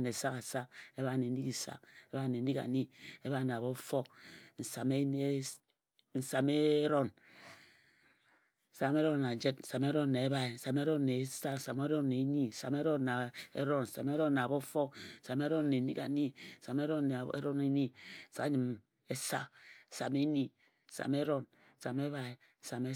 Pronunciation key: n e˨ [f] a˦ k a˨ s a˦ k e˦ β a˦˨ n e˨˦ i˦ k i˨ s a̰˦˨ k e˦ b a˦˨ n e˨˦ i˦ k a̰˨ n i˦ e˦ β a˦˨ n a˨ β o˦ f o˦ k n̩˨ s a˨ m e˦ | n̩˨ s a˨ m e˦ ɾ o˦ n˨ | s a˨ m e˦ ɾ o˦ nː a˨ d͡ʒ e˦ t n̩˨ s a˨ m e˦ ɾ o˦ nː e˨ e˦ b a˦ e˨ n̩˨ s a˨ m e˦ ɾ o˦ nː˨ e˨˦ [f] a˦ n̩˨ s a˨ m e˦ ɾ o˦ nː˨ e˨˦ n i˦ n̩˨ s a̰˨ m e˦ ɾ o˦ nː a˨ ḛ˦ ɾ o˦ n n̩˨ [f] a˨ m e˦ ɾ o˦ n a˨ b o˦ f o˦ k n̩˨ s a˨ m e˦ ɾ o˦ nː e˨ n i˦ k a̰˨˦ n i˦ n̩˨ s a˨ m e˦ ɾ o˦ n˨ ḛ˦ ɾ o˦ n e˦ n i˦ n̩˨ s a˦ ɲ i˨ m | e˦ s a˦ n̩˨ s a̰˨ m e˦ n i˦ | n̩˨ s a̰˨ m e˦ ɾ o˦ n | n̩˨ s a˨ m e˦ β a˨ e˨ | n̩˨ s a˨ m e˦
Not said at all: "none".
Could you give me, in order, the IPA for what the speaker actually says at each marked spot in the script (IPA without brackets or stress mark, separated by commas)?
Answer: s, s, s